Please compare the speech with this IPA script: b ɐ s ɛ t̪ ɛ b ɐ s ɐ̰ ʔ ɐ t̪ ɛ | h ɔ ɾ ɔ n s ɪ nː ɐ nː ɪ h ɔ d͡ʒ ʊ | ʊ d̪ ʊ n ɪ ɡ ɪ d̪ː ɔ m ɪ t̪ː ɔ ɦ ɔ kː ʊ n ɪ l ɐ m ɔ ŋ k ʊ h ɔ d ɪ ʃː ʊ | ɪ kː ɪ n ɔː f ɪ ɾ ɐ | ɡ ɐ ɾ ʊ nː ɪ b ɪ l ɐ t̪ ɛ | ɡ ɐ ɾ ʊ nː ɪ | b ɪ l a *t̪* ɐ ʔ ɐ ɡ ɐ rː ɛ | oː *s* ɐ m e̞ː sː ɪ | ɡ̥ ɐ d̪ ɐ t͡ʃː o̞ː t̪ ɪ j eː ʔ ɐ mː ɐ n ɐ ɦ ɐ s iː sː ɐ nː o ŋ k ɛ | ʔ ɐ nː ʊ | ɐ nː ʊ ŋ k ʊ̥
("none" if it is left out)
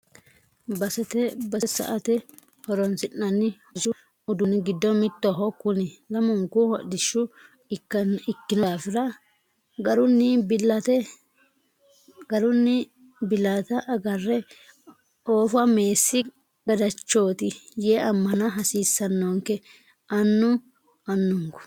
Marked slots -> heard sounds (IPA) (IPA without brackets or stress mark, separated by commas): t̪, f